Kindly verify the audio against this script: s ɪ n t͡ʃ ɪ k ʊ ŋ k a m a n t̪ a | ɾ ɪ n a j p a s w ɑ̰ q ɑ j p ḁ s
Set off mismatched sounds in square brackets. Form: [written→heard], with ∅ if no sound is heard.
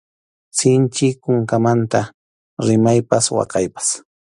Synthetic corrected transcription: s ɪ n t͡ʃ ɪ k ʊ ŋ k a m a n t̪ a | ɾ ɪ [n→m] a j p a s w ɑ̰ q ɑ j p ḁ s